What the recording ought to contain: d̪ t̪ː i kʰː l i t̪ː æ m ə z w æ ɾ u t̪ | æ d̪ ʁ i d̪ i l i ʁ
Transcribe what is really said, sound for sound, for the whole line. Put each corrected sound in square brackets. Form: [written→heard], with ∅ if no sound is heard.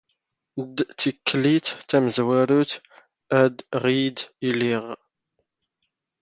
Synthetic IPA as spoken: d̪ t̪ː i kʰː l i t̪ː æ m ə z w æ ɾ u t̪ | æ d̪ ʁ i d̪ i l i ʁ